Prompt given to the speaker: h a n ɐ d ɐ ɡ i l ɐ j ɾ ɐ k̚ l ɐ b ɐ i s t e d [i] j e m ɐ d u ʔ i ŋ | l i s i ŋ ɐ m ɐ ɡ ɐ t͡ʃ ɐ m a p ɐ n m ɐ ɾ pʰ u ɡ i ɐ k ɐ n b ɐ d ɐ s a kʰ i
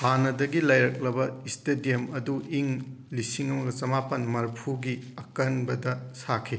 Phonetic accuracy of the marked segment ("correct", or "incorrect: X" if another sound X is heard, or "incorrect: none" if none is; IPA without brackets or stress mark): correct